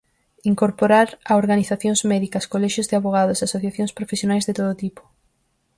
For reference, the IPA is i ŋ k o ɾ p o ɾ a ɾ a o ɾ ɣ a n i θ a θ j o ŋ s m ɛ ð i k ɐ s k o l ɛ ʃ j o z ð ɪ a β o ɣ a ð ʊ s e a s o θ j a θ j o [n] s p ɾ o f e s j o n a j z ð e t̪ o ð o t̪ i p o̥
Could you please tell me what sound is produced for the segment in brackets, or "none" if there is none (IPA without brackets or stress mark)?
ŋ